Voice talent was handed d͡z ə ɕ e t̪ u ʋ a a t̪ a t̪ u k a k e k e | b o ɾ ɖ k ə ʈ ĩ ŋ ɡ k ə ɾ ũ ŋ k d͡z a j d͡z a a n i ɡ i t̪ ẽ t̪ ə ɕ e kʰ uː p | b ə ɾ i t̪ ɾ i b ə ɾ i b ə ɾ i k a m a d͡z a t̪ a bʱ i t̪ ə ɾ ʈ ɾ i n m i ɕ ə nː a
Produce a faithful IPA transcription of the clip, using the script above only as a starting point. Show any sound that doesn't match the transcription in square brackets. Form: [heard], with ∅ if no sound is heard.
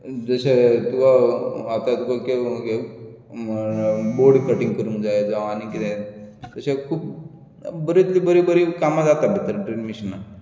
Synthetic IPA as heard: d͡z ə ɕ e t̪ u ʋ a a t̪ a t̪ u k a k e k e | b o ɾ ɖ k ə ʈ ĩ ŋ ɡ k ə ɾ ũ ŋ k d͡z a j d͡z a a n i [k] i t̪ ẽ t̪ ə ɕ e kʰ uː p | b ə ɾ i t̪ [l] i b ə ɾ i b ə ɾ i k a m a d͡z a t̪ a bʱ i t̪ ə ɾ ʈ ɾ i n m i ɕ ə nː a